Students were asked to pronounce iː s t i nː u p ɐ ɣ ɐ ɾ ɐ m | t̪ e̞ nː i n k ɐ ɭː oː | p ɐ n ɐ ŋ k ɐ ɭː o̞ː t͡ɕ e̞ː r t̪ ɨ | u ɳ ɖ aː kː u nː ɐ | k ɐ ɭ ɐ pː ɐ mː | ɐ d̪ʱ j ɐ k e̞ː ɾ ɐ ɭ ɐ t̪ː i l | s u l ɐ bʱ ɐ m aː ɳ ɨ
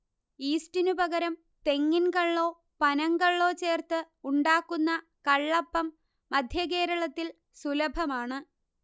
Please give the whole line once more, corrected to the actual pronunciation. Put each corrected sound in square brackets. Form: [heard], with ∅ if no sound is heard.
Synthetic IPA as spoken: iː s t i [n] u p ɐ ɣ ɐ ɾ ɐ m | t̪ e̞ [ŋː] i n k ɐ ɭː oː | p ɐ n ɐ ŋ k ɐ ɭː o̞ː t͡ɕ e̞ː r t̪ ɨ | u ɳ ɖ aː kː u nː ɐ | k ɐ [ɭː] ɐ pː ɐ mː | ɐ d̪ʱ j ɐ k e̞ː ɾ ɐ ɭ ɐ t̪ː i l | s u l ɐ bʱ ɐ m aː ɳ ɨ